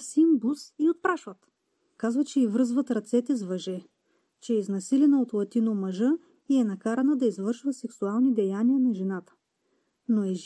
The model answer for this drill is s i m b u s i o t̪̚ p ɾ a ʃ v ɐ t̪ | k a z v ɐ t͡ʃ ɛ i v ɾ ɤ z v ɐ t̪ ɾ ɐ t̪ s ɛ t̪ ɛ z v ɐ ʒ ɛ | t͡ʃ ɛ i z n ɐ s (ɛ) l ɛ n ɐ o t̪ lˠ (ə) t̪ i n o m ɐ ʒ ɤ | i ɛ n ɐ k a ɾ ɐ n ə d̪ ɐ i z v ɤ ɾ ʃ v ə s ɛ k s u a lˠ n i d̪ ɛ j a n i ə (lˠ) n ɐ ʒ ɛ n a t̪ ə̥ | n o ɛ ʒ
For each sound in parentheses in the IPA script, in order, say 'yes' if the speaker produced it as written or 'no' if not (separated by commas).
no, no, no